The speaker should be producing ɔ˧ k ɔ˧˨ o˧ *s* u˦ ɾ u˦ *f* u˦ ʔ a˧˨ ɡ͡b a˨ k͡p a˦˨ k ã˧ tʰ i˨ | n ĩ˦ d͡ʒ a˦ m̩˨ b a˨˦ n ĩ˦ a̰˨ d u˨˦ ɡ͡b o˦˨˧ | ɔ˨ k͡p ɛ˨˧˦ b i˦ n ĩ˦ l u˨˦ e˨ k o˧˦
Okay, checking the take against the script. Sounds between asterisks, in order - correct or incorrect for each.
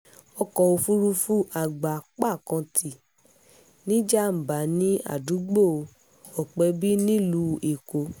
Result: incorrect: f, correct

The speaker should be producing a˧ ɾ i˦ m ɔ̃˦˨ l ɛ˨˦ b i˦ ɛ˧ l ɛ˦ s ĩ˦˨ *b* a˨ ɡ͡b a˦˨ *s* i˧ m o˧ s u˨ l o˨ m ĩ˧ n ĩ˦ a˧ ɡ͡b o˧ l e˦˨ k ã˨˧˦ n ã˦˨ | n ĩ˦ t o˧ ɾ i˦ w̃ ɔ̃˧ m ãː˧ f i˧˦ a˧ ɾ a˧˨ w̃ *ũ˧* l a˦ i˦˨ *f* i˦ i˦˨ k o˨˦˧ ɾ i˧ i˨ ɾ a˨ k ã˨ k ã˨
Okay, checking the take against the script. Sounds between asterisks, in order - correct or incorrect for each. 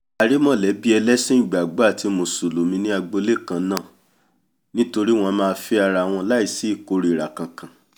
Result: incorrect: ɡ͡b, incorrect: t, incorrect: ɔ̃˧, incorrect: s

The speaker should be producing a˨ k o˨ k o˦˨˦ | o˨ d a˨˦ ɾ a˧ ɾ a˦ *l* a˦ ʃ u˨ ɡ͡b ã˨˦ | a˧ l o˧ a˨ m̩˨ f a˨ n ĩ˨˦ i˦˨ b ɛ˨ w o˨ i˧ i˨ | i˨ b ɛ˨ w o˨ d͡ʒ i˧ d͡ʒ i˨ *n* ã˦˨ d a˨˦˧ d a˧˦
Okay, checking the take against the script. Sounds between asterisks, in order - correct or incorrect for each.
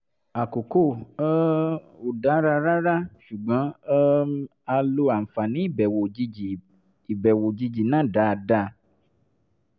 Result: incorrect: ɾ, correct

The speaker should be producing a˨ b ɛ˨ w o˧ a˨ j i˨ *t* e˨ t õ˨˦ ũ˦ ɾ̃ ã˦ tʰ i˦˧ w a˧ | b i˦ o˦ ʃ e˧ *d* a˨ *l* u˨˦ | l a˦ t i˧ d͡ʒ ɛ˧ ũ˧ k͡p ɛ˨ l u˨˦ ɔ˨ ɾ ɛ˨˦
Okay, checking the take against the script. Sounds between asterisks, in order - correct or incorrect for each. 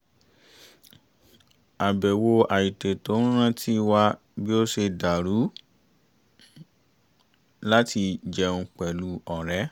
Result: correct, correct, incorrect: ɾ

